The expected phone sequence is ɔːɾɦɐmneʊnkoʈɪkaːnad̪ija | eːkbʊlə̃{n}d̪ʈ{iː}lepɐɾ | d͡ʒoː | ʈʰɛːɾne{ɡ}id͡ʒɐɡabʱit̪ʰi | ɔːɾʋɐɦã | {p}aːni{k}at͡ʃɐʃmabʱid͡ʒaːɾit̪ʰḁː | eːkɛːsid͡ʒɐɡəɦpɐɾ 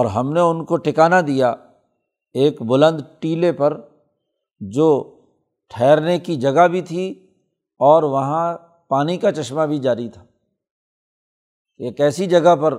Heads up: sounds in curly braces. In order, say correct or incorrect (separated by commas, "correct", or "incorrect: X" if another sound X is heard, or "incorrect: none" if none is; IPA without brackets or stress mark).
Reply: correct, correct, incorrect: k, correct, correct